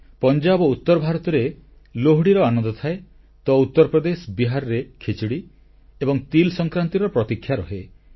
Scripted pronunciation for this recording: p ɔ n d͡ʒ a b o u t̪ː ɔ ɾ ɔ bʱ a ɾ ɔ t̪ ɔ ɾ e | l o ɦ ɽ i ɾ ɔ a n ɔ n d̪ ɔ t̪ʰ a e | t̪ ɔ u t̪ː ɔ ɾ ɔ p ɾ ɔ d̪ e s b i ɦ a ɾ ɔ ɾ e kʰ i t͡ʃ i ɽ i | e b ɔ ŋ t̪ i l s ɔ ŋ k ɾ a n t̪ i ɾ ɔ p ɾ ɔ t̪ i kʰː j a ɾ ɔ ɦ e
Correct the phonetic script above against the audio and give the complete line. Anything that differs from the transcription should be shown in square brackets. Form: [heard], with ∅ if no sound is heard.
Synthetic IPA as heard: p ɔ n d͡ʒ a b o u t̪ː ɔ ɾ ɔ bʱ a ɾ ɔ t̪ ɔ ɾ e | l o ɦ ɽ i ɾ ɔ a n ɔ n d̪ ɔ t̪ʰ a e | t̪ ɔ u t̪ː ɔ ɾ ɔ p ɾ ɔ d̪ e s b i ɦ a ɾ ɔ ɾ e kʰ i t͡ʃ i ɽ i | e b ɔ ŋ t̪ i l s ɔ ŋ k ɾ a n t̪ i ɾ ɔ p ɾ ɔ t̪ i kʰː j a ɾ ɔ ɦ e